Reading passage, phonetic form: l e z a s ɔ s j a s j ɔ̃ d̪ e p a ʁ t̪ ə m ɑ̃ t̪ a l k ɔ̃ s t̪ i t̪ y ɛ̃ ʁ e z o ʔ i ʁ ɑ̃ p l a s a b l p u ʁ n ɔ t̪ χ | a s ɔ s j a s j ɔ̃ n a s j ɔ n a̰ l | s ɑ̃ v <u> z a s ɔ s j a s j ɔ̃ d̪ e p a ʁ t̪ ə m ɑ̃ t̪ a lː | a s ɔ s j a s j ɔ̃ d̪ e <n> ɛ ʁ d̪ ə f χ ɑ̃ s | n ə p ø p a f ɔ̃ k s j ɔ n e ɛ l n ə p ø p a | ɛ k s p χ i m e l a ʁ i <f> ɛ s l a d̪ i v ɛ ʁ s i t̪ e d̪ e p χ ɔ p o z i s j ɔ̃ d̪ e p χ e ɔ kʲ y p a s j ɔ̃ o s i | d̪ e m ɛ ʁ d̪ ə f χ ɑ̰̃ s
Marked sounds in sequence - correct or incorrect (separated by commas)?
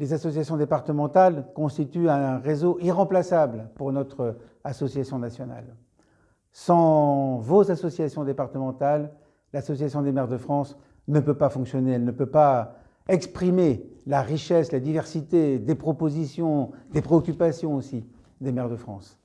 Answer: incorrect, incorrect, incorrect